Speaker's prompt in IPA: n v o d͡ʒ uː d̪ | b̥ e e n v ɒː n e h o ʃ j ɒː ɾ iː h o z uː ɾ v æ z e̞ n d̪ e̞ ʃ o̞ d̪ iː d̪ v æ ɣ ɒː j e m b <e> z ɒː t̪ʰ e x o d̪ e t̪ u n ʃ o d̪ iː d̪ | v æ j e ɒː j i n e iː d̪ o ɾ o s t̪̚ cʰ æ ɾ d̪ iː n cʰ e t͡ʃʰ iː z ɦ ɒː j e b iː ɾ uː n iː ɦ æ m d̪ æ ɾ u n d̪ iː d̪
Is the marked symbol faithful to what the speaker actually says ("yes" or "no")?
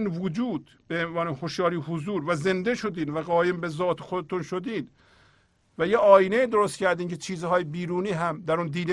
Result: yes